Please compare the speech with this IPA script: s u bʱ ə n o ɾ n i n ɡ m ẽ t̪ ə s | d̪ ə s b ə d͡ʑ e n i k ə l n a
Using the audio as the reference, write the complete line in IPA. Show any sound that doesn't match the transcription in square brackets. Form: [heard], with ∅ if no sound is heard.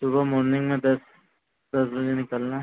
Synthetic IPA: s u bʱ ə [m] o ɾ n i [ŋ] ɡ m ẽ [d̪] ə s | d̪ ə s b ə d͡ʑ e n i k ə l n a